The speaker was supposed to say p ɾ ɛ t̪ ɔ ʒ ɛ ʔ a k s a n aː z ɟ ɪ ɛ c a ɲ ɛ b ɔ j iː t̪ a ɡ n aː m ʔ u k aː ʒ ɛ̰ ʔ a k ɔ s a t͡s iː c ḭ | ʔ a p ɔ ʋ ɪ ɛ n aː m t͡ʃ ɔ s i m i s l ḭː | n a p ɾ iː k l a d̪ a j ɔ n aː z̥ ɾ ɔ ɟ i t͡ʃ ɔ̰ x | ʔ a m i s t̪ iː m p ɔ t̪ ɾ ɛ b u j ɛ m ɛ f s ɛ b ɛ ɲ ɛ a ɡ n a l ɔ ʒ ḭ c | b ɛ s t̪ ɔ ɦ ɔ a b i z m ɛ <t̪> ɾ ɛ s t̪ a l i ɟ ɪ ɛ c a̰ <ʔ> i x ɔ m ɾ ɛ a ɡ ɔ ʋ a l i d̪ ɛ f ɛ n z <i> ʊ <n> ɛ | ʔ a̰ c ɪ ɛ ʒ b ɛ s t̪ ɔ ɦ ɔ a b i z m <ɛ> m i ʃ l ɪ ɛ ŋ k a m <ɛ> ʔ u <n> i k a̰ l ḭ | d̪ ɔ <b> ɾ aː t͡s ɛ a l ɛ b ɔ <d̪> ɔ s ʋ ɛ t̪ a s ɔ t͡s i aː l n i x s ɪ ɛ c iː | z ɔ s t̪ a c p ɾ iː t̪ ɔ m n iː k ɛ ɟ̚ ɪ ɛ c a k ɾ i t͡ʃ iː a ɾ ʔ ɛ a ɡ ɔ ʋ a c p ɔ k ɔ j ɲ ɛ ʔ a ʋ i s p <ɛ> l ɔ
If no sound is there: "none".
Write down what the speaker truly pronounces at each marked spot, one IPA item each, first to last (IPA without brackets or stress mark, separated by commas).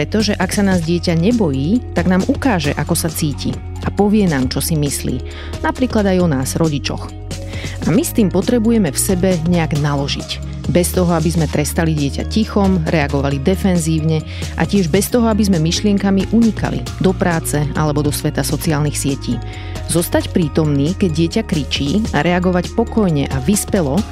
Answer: t̪, c, iː, ɲ, ɛ, i, ɲ, p, d̪, ɛ